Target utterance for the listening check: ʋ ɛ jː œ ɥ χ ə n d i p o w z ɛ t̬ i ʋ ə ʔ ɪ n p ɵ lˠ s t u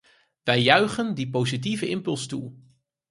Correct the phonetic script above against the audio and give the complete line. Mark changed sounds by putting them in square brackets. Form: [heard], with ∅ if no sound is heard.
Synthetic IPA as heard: ʋ ɛ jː œ ɥ χ ə n d i p o w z [i] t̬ i [v] ə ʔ ɪ [m] p ɵ lˠ s t u